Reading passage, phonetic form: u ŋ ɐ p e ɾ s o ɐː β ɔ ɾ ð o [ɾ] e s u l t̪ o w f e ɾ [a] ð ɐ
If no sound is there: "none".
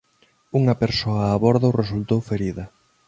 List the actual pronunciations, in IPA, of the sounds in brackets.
r, i

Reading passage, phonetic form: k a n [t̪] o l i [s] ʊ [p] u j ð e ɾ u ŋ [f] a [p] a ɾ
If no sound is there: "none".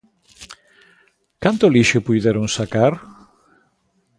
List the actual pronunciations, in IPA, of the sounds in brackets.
t̪, ʃ, p, s, k

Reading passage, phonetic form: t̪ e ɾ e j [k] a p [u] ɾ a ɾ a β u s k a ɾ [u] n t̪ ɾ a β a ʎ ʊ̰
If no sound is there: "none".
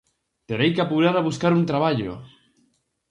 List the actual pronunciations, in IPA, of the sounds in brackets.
k, u, u

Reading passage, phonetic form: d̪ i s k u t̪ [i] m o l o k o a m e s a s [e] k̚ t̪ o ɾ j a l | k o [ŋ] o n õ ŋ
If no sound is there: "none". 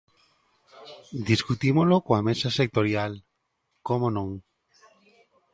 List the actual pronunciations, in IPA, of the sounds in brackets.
i, e, m

